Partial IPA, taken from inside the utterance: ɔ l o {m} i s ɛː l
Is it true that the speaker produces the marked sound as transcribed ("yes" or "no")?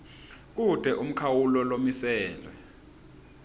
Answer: yes